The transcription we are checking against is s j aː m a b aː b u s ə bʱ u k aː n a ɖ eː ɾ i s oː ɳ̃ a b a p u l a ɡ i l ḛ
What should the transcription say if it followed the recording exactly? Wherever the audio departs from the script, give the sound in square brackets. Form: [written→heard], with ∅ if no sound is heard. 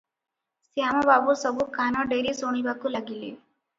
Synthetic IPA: s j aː m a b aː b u s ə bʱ u k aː n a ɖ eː ɾ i s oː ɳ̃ [a→i] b a [p→k] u l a ɡ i l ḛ